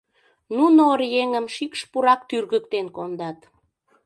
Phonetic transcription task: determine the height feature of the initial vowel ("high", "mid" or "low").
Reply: high